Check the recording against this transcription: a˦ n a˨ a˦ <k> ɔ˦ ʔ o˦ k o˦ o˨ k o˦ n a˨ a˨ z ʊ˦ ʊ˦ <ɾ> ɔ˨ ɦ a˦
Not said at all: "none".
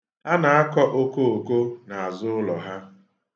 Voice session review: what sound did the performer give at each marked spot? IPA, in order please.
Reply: k, l

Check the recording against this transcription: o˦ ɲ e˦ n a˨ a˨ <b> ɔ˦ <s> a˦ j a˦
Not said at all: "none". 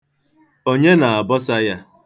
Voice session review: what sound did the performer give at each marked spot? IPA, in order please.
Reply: b, s

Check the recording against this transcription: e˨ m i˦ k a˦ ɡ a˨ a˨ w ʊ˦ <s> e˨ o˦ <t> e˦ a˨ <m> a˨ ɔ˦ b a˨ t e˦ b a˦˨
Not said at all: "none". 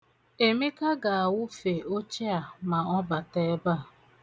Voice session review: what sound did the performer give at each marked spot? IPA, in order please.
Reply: f, t͡ʃ, m

